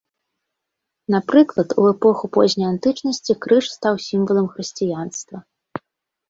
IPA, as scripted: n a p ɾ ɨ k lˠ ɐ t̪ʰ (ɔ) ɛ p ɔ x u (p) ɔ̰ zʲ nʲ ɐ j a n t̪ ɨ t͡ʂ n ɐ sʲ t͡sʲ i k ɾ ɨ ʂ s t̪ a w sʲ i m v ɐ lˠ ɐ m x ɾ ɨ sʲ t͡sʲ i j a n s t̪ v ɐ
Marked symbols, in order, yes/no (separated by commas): no, yes